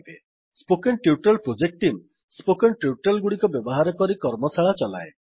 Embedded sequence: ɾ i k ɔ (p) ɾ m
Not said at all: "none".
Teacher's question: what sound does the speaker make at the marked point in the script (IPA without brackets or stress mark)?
none